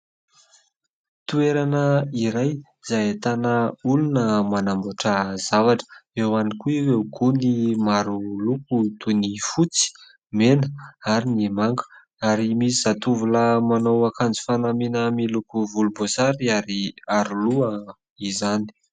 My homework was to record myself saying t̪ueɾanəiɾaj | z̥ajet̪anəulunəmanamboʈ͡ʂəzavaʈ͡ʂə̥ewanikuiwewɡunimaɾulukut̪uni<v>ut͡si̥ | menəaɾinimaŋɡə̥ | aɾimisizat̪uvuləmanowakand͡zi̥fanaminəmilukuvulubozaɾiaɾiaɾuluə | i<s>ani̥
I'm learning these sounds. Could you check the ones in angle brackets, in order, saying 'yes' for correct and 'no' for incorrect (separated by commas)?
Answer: no, no